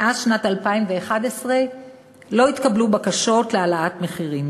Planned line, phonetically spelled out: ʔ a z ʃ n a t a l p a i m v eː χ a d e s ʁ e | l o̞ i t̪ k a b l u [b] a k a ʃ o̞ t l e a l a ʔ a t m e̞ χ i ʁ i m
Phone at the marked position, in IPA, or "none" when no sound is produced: b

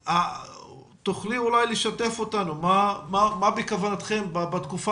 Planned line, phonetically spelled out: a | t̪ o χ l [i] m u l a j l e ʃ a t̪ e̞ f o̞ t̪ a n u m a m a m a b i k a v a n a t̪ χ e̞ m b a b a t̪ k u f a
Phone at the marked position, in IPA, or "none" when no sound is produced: i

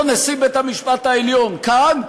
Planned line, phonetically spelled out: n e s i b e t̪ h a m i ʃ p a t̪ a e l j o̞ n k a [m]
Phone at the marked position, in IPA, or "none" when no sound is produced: n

